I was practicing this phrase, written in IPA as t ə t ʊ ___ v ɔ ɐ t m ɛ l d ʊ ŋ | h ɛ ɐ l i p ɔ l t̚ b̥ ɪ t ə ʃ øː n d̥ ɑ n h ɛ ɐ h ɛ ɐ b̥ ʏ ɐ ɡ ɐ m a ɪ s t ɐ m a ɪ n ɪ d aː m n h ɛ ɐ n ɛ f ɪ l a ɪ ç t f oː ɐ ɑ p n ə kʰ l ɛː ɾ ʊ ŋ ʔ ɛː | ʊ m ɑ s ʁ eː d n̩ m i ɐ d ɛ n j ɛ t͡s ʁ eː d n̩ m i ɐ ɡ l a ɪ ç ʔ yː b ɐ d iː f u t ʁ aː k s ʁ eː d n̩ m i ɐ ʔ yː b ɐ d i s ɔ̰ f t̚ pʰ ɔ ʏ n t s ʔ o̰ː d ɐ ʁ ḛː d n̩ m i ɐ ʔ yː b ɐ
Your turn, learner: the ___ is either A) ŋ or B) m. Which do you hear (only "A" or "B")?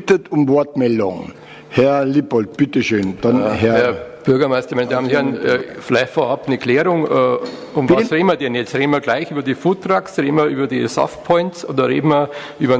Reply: B